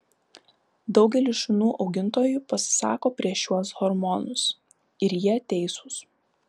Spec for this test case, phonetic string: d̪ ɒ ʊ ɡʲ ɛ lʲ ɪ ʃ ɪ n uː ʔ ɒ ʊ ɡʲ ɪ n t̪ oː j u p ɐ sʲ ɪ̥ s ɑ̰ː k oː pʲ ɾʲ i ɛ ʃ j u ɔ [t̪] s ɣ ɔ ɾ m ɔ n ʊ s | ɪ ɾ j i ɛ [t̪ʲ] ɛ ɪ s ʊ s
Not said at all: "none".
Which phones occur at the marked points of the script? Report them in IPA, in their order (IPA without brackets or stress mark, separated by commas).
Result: none, t̪ʲ